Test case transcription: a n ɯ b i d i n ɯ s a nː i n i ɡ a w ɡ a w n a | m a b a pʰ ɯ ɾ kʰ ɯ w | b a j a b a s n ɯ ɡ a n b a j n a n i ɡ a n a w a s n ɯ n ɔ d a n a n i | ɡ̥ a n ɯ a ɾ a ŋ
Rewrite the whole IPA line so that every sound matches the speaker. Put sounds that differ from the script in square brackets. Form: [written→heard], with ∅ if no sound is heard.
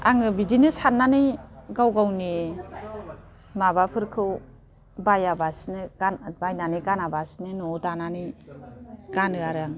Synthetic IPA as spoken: a [n→ŋ] ɯ b i d i n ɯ s a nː [i→a] n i ɡ a w ɡ a w n [a→i] | m a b a pʰ ɯ ɾ kʰ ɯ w | b a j a b a s n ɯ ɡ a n b a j n a n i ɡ a n a [w→b] a s n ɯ n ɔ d a n a n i | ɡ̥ a n ɯ a ɾ a ŋ

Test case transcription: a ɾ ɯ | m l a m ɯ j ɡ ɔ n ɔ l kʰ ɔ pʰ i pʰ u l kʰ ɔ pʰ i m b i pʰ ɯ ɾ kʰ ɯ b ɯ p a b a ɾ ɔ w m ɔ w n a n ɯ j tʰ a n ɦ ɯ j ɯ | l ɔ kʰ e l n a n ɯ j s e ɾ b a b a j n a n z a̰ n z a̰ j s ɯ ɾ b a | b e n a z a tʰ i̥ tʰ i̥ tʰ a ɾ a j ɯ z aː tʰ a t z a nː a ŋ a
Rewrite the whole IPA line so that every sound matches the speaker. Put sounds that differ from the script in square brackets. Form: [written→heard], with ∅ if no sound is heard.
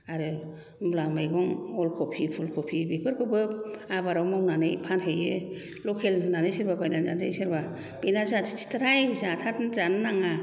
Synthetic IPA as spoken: a ɾ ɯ | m l a m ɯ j ɡ ɔ [n→ŋ] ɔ l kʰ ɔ pʰ i pʰ u l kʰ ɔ pʰ i [m→∅] b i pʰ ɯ ɾ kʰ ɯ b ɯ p a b a ɾ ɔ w m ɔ w n a n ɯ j [tʰ→pʰ] a n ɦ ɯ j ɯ | l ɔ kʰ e l n a n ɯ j s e ɾ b a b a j n a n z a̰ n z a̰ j s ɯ ɾ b a | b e n a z a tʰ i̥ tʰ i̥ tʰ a ɾ a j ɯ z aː tʰ a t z a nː a ŋ a

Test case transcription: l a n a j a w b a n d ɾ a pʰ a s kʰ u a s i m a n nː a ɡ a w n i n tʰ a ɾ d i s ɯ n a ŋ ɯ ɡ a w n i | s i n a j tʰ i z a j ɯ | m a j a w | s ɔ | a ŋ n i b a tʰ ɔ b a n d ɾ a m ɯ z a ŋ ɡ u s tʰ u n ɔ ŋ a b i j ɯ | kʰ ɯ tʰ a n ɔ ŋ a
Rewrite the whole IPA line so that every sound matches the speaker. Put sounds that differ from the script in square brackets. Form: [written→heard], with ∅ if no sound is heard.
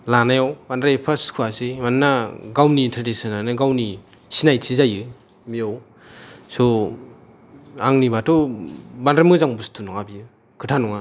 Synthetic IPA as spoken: l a n a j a w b a n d ɾ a pʰ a s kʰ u a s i m a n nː a ɡ a w n i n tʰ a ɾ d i s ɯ n a [ŋ→n] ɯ ɡ a w n i | s i n a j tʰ i z a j ɯ | m [a→i] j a w | s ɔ | a ŋ n i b a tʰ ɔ b a n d ɾ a m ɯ z a ŋ [ɡ→b] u s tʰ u n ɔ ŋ a b i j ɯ | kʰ ɯ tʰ a n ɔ ŋ a

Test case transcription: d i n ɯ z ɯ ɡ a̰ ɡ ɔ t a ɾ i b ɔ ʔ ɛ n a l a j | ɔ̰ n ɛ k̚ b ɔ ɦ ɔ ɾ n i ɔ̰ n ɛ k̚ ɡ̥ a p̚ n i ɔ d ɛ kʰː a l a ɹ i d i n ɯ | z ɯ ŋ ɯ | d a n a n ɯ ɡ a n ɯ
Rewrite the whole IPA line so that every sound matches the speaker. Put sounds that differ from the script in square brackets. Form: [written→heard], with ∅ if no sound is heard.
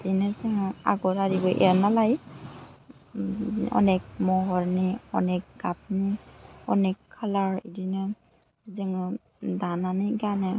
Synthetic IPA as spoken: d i n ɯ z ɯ [ɡ→ŋ] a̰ ɡ ɔ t a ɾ i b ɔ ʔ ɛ n a l a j | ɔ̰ n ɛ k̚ [b→m] ɔ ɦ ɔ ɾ n i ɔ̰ n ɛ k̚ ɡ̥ a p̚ n i ɔ [d→n] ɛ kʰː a l a ɹ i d i n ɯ | z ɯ ŋ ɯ | d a n a n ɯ ɡ a n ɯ

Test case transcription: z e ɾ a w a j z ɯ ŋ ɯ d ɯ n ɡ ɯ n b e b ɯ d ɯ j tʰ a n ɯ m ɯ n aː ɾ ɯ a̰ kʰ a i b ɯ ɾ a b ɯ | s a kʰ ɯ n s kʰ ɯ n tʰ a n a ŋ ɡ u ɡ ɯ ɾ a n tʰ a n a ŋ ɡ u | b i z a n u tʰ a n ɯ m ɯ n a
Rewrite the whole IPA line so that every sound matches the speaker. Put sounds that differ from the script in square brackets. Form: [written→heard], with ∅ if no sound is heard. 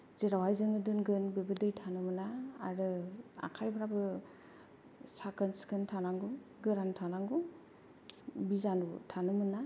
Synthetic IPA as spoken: z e ɾ a w a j z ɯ ŋ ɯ d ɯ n ɡ ɯ n b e b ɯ d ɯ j tʰ a n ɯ m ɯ n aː ɾ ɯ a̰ kʰ a [i→j] b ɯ ɾ a b ɯ | s a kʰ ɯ n s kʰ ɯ n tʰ a n a ŋ ɡ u ɡ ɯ ɾ a n tʰ a n a ŋ ɡ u | b i z a n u tʰ a n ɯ m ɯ n a

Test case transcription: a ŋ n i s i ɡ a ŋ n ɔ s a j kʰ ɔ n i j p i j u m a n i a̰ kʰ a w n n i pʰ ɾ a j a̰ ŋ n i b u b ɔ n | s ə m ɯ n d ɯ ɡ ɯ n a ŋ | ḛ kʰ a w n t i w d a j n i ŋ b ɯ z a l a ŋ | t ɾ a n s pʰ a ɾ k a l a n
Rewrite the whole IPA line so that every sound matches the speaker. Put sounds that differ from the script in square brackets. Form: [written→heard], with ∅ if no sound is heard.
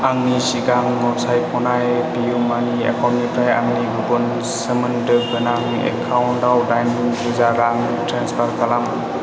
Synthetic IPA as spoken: a ŋ n i s i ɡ a ŋ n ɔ s a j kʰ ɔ n [i→a] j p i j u m a n i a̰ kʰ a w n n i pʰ ɾ a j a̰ ŋ n i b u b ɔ n | s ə m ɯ n d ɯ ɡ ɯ n a ŋ | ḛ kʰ a w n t [i→a] w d a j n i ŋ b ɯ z a [l→ɾ] a ŋ | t ɾ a n s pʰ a ɾ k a l a [n→m]

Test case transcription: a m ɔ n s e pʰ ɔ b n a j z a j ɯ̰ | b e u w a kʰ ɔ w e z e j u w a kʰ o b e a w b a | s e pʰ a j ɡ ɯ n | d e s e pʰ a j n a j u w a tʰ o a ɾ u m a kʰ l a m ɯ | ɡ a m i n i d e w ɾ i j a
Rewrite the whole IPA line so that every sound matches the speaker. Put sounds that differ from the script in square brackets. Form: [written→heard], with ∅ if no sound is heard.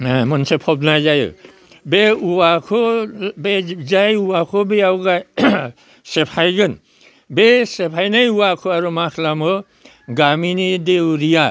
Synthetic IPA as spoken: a m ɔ n s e pʰ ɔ b n a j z a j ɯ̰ | b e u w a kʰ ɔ [w→b] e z [e→a] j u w a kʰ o b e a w [b→ɡ] a | s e pʰ a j ɡ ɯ n | [d→b] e s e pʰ a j n a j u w a [tʰ→kʰ] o a ɾ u m a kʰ l a m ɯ | ɡ a m i n i d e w ɾ i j a

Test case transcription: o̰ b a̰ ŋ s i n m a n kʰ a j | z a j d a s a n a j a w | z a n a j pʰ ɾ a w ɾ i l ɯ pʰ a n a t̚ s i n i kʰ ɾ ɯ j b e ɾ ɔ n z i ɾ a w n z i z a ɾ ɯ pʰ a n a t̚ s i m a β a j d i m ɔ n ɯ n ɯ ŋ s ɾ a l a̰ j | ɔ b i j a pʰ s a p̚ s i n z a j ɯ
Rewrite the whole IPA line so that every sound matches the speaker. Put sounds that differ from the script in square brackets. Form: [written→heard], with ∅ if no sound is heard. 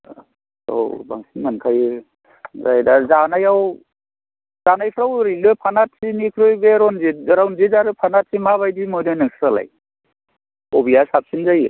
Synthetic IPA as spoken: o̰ b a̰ ŋ s i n m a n kʰ a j | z a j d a [s→z] a n a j a w | z a n a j pʰ ɾ a w ɾ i l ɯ pʰ a n a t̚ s i n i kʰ ɾ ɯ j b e ɾ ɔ n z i ɾ a w n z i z a ɾ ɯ pʰ a n a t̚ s i m a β a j d i m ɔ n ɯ n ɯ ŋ s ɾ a l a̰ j | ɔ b i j a [pʰ→∅] s a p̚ s i n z a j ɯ

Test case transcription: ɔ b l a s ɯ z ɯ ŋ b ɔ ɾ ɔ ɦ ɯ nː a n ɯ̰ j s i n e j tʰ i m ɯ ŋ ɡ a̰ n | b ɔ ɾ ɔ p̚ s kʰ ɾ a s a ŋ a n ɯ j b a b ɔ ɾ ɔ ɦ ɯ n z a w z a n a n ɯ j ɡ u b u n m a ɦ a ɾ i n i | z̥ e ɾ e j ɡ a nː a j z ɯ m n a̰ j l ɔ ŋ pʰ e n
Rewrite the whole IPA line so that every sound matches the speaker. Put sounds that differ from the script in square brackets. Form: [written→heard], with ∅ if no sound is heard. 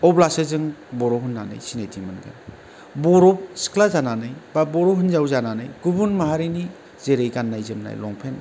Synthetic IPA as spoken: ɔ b l a s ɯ z ɯ ŋ b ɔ ɾ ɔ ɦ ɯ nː a n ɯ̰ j s i n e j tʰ i m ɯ [ŋ→n] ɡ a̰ n | b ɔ ɾ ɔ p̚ s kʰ [ɾ→l] a [s→z] a [ŋ→n] a n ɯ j b a b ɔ ɾ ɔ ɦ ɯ n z a w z a n a n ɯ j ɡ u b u n m a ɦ a ɾ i n i | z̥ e ɾ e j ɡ a nː a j z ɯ m n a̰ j l ɔ ŋ pʰ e n

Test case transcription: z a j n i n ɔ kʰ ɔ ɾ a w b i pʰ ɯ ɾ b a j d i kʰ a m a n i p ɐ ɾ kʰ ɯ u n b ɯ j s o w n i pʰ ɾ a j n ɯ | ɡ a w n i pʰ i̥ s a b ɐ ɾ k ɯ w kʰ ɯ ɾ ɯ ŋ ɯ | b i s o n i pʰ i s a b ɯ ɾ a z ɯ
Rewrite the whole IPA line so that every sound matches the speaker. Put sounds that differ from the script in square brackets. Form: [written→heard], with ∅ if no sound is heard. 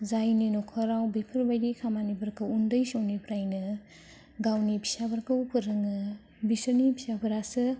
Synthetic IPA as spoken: z a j n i n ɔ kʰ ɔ ɾ a w b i pʰ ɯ ɾ b a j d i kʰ a m a n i [p→b] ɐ ɾ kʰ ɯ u n [b→d] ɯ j s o w n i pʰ ɾ a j n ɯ | ɡ a w n i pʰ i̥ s a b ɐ ɾ k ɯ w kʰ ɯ ɾ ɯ ŋ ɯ | b i s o n i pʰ i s a b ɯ ɾ a [z→s] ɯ

